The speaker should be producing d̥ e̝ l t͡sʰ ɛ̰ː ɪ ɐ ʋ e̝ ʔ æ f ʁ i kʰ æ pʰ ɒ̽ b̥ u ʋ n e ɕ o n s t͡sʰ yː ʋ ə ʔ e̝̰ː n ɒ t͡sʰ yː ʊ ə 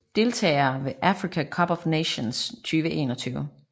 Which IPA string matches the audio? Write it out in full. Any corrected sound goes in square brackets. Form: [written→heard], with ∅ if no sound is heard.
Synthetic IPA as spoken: d̥ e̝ l t͡sʰ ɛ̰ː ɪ ɐ ʋ e̝ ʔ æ f ʁ i kʰ æ [pʰ→kʰ] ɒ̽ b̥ [u→ɒ] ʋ n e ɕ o n s t͡sʰ yː ʋ ə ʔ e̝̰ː n ɒ t͡sʰ yː ʊ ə